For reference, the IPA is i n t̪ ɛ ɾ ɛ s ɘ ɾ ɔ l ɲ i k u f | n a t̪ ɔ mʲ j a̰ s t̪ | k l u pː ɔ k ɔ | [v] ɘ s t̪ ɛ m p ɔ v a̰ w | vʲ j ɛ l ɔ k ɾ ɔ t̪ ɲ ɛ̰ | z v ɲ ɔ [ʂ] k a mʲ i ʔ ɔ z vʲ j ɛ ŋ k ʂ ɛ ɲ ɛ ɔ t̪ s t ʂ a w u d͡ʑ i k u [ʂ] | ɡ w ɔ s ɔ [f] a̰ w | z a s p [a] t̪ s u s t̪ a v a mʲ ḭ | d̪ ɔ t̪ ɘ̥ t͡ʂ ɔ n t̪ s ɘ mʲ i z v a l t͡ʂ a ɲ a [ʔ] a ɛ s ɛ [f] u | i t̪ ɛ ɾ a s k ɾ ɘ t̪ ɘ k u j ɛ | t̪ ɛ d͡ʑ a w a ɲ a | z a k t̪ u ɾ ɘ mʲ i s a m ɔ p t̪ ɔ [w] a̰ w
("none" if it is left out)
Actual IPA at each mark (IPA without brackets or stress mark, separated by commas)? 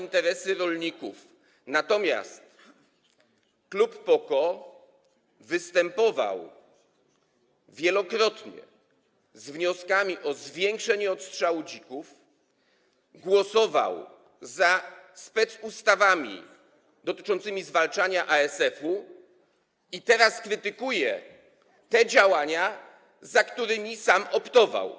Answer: v, s, f, v, ɛ, ʔ, f, v